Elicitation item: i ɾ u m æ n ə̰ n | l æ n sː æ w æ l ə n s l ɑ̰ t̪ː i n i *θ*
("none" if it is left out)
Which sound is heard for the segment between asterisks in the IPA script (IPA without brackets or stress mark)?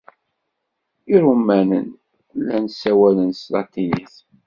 θ